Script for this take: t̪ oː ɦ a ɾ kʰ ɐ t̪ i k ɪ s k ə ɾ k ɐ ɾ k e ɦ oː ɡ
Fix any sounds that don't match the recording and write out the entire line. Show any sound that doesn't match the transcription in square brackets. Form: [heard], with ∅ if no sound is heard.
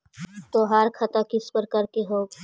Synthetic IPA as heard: t̪ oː ɦ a ɾ kʰ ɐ t̪ [a] k ɪ s [p] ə ɾ k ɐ ɾ k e ɦ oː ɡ